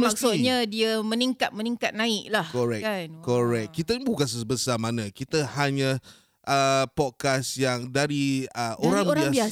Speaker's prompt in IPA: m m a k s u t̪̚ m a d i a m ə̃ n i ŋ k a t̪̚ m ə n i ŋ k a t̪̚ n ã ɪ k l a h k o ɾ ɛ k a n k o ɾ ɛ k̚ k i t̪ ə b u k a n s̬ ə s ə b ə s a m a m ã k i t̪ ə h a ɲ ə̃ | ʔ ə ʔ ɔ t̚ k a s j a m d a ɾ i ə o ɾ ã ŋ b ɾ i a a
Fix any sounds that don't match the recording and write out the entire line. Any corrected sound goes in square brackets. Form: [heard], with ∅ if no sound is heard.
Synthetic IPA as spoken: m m a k s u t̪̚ [ɲ] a d i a m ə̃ n i ŋ k a t̪̚ m ə n i ŋ k a t̪̚ n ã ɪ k l a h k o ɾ ɛ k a n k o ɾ ɛ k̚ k i t̪ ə b u k a n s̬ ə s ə b ə s a m a [n] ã k i t̪ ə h a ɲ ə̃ | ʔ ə [p] ɔ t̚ k a s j a [ŋ] d a ɾ i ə o ɾ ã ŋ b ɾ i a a